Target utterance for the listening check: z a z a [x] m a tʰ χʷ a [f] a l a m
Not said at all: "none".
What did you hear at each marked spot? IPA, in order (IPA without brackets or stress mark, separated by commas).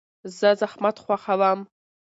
χ, χ